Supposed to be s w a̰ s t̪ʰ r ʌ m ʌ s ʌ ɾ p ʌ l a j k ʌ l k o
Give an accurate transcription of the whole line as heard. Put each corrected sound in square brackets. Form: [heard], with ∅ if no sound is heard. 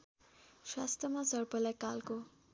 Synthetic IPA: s w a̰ s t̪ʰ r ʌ m [a] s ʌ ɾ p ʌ l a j k [a] l k o